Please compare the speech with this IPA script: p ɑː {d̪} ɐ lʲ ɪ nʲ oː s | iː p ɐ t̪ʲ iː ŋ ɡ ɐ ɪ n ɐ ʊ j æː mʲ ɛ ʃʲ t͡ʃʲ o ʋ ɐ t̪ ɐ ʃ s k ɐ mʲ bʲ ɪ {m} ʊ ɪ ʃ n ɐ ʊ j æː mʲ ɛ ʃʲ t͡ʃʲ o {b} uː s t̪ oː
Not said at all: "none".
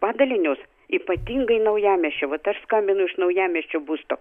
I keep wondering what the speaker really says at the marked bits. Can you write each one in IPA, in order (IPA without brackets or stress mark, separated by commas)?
d̪, n, b